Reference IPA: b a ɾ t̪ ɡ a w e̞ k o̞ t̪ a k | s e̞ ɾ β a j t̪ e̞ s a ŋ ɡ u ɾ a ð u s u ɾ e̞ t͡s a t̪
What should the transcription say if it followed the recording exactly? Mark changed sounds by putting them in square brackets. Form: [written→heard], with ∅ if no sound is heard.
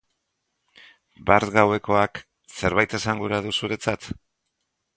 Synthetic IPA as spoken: b a ɾ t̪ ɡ a w e̞ k o̞ [t̪→∅] a k | s e̞ ɾ β a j t̪ e̞ s a ŋ ɡ u ɾ a ð u s u ɾ e̞ t͡s a t̪

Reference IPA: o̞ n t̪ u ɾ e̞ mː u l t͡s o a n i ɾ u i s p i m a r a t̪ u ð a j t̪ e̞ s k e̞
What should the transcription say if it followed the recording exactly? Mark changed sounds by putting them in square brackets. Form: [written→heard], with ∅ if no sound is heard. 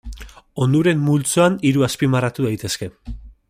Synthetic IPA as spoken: o̞ n [t̪→d̪] u ɾ e̞ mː u l t͡s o a n i ɾ u [i→a] s p i m a r a t̪ u ð a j t̪ e̞ s k e̞

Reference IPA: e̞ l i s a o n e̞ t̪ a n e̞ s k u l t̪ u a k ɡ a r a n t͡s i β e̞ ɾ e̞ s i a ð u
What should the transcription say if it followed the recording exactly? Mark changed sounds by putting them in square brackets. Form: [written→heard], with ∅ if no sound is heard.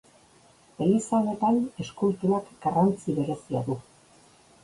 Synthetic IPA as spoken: e̞ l i s a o n e̞ t̪ a n e̞ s k u l t̪ u a k ɡ a r a n t͡s i β e̞ ɾ e̞ s i a ð u

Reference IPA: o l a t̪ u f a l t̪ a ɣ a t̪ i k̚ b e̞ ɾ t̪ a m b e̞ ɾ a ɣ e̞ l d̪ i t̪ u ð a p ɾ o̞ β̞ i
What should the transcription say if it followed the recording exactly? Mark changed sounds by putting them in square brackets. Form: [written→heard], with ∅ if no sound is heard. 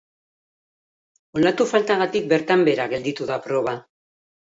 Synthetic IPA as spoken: o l a t̪ u f a l t̪ a ɣ a t̪ i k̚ b e̞ ɾ t̪ a m b e̞ ɾ a ɣ e̞ l d̪ i t̪ u ð a p ɾ o̞ β̞ [i→a]

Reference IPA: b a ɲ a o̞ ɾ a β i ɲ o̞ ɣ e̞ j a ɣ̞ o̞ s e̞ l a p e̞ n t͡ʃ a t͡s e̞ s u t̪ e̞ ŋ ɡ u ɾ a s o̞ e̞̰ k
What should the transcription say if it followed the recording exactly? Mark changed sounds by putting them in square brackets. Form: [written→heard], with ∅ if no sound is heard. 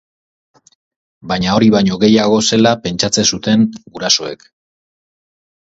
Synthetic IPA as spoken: b a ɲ a o̞ ɾ [a→i] β [i→a] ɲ o̞ ɣ e̞ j a ɣ̞ o̞ s e̞ l a p e̞ n t͡ʃ a t͡s e̞ s u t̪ e̞ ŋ ɡ u ɾ a s o̞ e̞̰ k

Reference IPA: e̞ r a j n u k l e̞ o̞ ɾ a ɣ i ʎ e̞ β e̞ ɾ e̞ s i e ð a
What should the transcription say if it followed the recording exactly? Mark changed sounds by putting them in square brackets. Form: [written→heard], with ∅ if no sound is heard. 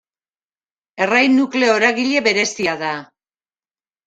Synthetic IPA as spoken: e̞ r a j n u k l e̞ o̞ ɾ a ɣ i ʎ e̞ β e̞ ɾ e̞ s i [e→a] ð a

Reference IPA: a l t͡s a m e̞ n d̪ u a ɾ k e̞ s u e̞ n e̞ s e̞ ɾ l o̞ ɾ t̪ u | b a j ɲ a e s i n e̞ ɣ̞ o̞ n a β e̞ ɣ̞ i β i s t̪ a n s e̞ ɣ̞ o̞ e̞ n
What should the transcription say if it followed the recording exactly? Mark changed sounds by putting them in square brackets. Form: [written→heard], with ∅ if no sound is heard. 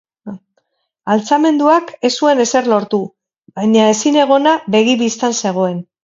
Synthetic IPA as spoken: a l t͡s a m e̞ n d̪ u a [ɾ→∅] k e̞ s u e̞ n e̞ s e̞ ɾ l o̞ ɾ t̪ u | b a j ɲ a e s i n e̞ ɣ̞ o̞ n a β e̞ ɣ̞ i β i s t̪ a n s e̞ ɣ̞ o̞ e̞ n

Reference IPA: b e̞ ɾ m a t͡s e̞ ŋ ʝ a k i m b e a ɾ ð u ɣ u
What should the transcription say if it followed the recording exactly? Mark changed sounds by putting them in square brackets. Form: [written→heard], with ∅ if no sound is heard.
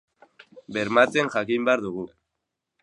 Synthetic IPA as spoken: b e̞ ɾ m a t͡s e̞ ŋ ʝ a k i m b e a ɾ ð u ɣ u

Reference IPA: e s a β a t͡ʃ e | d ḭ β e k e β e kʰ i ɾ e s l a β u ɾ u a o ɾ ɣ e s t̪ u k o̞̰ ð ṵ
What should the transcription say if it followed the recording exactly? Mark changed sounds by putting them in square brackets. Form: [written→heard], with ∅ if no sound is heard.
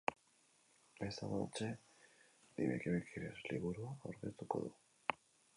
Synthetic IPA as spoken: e s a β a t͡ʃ e | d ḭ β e k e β e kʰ i ɾ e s l [a→i] β u ɾ u a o ɾ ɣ e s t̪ u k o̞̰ ð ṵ

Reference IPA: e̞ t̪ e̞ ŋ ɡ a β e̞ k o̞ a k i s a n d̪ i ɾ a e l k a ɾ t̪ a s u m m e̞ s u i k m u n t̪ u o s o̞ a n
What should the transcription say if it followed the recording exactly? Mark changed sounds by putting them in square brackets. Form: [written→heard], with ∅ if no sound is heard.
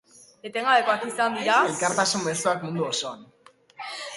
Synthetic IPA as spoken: e̞ t̪ e̞ ŋ ɡ a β e̞ k o̞ a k i s a n d̪ i ɾ a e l k a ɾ t̪ a s u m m e̞ s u [i→a] k m u n [t̪→d̪] u o s o̞ a n

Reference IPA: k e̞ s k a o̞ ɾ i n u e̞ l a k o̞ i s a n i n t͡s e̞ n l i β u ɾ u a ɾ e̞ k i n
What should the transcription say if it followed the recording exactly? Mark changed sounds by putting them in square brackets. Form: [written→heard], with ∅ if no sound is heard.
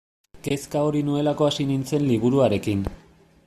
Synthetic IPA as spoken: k e̞ s k a o̞ ɾ i n u e̞ l a k o̞ [i→a] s [a→i] n i n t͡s e̞ n l i β u ɾ u a ɾ e̞ k i n

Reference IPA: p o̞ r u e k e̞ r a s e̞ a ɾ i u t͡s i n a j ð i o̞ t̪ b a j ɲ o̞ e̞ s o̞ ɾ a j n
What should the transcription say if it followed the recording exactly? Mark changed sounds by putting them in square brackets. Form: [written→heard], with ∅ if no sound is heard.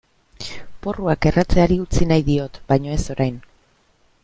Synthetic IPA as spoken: p o̞ r u [e→a] k e̞ r a [s→t͡s] e̞ a ɾ i u t͡s i n a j ð i o̞ t̪ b a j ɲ o̞ e̞ s o̞ ɾ a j n

